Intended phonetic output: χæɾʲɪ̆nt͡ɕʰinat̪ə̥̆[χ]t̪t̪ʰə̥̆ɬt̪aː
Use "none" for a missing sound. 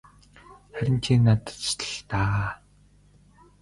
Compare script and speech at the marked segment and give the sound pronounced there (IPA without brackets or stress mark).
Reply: none